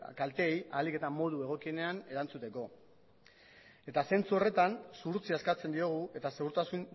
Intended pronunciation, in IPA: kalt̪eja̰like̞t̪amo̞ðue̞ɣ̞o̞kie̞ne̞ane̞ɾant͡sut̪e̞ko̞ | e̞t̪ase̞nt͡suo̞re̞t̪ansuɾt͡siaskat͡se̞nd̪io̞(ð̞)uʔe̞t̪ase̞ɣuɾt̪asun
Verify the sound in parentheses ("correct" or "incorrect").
incorrect